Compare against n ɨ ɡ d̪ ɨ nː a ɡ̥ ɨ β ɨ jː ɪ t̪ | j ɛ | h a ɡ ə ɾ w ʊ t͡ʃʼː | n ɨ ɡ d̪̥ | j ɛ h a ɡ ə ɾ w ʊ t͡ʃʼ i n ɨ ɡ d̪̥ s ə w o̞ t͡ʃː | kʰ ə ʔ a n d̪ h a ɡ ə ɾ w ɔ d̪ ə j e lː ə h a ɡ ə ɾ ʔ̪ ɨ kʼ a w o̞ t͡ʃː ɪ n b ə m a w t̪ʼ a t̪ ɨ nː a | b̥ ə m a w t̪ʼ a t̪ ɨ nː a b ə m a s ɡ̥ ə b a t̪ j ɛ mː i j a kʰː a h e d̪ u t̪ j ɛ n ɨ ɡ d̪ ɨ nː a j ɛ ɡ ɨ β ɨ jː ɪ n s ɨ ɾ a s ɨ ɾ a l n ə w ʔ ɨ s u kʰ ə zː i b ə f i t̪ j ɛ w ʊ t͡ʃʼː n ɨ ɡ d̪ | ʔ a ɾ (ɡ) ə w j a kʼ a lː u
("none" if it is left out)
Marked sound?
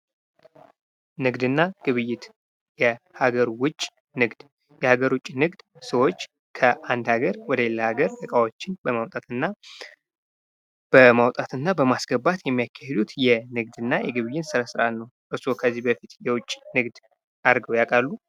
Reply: ɡ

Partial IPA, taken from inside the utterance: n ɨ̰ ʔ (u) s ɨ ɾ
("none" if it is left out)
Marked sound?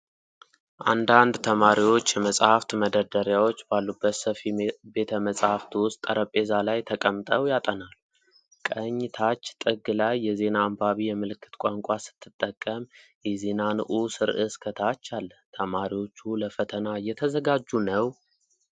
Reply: u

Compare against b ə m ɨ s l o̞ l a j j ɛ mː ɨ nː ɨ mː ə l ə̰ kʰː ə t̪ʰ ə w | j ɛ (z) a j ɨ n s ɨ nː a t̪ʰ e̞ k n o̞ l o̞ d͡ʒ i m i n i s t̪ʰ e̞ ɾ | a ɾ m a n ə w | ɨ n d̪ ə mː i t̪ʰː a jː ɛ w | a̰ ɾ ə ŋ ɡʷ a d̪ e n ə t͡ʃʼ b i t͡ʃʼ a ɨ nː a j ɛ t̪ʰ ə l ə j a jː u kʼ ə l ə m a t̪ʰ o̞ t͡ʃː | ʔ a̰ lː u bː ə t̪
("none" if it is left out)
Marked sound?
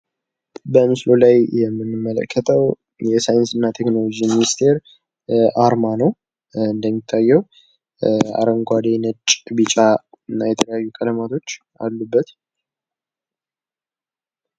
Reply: s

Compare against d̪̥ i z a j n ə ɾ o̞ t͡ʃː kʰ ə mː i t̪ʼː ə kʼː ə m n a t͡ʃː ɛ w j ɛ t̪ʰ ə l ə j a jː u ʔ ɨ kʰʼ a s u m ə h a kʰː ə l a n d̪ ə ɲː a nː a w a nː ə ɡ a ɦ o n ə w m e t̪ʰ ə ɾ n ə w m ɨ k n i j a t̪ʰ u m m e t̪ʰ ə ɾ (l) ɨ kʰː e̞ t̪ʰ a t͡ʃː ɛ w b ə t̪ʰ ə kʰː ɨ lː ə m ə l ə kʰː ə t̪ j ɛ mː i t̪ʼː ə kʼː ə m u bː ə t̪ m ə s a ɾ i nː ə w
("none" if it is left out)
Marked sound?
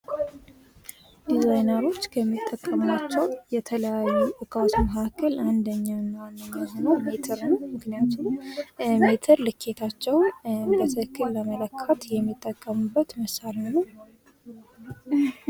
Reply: l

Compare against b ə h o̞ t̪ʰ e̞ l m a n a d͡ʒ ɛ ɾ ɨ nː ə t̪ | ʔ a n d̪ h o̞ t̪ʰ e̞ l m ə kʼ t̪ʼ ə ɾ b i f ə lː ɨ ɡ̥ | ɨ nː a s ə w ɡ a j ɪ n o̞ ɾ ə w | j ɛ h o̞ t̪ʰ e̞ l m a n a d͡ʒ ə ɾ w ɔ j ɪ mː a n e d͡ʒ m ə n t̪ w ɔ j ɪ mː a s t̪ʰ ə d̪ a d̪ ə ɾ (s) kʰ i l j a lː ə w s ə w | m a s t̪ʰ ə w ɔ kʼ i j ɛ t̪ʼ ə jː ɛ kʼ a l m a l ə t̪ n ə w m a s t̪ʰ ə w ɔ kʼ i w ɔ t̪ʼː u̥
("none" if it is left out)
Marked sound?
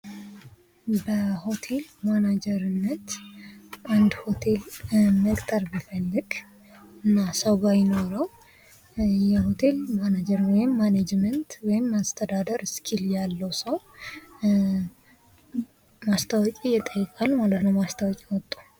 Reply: s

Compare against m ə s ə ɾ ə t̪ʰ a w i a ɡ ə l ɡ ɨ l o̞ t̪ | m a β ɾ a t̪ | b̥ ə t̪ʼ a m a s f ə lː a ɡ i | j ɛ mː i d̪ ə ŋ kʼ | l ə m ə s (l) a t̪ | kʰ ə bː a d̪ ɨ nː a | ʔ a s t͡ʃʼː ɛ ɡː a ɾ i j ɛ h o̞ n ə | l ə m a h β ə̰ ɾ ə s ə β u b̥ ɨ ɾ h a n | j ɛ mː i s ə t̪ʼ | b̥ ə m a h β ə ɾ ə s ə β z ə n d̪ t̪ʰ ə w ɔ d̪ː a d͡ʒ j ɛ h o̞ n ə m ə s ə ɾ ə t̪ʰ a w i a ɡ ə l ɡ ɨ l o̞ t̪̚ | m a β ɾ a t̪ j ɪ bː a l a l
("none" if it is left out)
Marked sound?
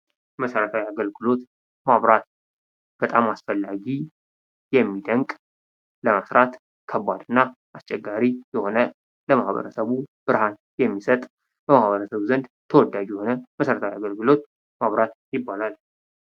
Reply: ɾ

